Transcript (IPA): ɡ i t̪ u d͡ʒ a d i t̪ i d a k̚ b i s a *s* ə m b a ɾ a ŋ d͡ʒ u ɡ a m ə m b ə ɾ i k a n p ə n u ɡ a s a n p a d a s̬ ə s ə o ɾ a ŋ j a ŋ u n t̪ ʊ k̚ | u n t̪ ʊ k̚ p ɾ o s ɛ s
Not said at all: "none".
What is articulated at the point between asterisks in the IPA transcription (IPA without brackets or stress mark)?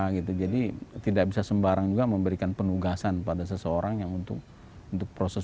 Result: s